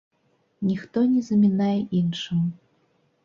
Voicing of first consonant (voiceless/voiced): voiced